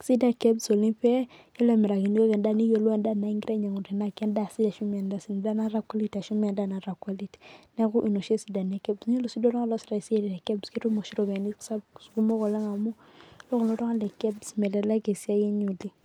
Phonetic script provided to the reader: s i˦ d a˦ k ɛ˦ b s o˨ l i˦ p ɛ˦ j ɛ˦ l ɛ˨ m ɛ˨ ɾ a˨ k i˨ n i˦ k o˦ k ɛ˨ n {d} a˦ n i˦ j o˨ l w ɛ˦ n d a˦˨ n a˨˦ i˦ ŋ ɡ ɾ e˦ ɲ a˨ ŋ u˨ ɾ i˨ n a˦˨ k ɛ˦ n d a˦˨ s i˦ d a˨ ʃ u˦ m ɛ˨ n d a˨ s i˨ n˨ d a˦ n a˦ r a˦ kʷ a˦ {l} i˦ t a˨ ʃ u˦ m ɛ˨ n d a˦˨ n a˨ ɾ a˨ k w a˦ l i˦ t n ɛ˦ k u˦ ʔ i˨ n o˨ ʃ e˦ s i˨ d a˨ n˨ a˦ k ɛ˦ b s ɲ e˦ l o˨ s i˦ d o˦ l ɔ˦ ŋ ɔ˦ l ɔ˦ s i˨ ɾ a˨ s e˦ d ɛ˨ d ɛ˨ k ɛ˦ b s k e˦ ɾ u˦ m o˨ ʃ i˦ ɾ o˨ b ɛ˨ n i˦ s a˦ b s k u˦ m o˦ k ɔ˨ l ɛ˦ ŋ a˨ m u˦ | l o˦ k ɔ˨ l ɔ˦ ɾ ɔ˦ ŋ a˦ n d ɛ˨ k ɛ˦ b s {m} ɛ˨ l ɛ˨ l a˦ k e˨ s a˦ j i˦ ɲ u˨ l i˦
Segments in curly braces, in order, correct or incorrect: correct, correct, correct

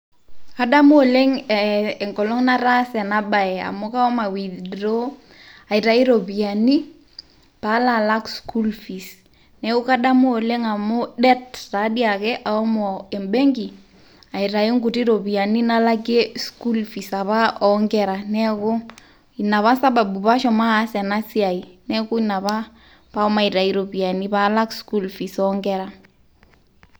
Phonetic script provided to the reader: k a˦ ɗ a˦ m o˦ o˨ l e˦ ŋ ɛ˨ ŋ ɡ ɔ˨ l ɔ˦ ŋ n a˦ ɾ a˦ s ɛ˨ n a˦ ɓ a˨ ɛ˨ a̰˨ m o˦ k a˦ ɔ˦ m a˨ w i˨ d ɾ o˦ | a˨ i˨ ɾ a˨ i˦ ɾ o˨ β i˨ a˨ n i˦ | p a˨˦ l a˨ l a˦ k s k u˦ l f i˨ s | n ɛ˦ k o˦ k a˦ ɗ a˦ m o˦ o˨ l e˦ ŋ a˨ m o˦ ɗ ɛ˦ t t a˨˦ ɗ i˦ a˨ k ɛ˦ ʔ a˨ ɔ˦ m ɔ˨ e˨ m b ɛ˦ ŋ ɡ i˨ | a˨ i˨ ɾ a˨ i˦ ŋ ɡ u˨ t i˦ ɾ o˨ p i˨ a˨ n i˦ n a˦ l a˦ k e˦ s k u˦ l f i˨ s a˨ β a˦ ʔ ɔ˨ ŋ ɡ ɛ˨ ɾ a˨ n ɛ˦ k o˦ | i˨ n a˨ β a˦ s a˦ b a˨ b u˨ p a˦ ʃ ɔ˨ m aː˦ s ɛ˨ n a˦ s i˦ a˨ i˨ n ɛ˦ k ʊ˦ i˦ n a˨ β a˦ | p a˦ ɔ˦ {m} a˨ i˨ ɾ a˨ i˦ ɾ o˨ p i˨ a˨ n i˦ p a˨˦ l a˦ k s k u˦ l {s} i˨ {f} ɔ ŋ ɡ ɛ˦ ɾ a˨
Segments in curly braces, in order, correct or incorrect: correct, incorrect: f, incorrect: s

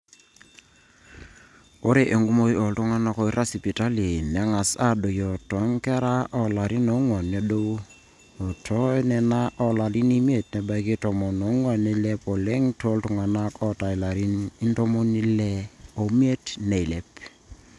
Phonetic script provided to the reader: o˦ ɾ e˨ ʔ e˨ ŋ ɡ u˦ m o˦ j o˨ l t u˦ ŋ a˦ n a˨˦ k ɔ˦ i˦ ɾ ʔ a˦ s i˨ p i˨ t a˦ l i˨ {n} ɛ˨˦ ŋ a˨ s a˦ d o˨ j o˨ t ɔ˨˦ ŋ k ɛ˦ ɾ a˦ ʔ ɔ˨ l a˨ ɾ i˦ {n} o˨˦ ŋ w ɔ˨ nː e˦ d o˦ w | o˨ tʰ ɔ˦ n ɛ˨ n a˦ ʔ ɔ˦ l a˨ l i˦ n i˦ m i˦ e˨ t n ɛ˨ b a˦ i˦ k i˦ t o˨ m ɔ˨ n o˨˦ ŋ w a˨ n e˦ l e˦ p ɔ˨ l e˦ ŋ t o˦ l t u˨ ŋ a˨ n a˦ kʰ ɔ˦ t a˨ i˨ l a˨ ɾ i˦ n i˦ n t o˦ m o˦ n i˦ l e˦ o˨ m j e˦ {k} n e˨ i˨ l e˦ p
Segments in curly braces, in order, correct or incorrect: correct, correct, incorrect: t

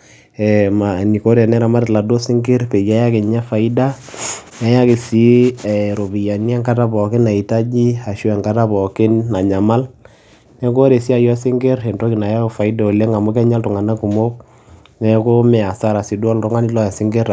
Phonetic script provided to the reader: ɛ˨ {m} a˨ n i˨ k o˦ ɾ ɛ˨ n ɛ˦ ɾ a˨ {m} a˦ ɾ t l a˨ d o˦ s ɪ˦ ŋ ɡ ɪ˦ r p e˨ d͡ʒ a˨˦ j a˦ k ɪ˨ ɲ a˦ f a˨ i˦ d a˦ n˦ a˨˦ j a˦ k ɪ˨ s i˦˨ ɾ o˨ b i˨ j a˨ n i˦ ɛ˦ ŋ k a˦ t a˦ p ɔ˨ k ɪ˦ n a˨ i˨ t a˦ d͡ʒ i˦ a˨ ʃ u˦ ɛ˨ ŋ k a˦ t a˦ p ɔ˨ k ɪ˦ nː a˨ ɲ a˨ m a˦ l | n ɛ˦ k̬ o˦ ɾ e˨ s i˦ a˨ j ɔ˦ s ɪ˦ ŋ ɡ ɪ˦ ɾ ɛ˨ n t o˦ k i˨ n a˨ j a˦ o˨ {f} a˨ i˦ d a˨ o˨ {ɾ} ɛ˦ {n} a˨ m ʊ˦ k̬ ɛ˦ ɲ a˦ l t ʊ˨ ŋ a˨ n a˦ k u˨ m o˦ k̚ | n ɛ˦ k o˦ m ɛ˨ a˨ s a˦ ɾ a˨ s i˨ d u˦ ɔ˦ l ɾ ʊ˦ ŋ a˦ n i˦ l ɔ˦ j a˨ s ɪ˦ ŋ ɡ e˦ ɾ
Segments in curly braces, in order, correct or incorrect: correct, correct, correct, incorrect: l, incorrect: ŋ

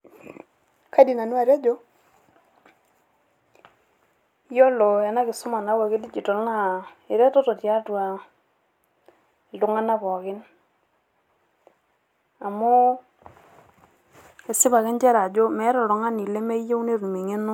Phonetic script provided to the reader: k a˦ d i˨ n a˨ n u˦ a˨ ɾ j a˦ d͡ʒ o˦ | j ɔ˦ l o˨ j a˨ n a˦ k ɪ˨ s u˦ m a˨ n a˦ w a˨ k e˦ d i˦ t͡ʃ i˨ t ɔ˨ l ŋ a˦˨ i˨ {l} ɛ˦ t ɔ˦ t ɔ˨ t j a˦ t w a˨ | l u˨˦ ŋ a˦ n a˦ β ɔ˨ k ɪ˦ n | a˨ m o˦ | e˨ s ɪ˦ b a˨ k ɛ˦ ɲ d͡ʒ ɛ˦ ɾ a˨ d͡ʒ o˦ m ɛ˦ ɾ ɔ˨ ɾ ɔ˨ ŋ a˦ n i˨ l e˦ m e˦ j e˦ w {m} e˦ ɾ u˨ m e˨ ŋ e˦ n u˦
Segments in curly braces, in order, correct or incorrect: incorrect: ɾ, incorrect: n

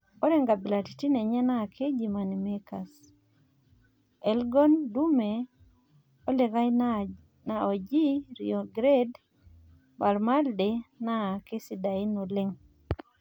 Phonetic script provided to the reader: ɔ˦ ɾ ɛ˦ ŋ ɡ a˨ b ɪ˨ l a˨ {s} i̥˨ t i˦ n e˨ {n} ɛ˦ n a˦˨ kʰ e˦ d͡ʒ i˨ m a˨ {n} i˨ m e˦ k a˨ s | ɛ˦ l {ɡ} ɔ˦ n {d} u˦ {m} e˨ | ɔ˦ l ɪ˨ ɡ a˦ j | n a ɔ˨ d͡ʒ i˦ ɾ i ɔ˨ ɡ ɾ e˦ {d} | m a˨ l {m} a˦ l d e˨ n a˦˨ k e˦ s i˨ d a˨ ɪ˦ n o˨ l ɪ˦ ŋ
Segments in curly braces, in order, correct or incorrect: incorrect: t, incorrect: ɲ, correct, correct, correct, correct, correct, correct

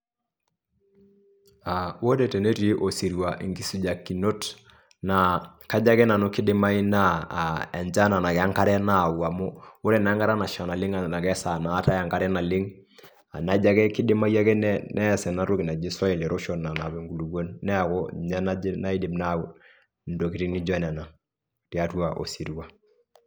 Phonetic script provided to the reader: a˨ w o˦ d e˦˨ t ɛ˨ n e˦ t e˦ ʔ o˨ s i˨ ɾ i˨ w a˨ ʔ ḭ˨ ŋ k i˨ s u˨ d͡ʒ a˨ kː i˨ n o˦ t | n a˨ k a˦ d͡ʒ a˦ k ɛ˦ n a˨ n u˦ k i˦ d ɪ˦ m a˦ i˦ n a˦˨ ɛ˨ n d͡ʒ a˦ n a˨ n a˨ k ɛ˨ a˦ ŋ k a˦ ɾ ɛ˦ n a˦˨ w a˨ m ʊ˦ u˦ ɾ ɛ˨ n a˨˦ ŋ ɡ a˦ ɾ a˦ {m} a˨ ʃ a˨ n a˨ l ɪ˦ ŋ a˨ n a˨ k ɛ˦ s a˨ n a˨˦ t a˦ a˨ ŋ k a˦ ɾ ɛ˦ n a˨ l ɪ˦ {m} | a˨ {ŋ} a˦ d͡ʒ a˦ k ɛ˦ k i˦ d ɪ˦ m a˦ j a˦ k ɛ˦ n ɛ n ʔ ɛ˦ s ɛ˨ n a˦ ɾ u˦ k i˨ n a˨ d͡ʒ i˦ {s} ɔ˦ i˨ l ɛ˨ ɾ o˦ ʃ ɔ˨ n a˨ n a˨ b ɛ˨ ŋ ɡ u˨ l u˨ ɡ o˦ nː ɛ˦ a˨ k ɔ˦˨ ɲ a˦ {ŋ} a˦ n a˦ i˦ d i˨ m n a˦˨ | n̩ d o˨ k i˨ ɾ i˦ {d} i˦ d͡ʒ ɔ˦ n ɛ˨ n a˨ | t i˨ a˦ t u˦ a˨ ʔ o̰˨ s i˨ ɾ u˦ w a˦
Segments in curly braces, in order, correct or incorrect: incorrect: n, incorrect: ŋ, incorrect: n, correct, incorrect: n, incorrect: n

